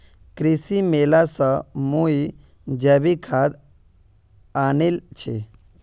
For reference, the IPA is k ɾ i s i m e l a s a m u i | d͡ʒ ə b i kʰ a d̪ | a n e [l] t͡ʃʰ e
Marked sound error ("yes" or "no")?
no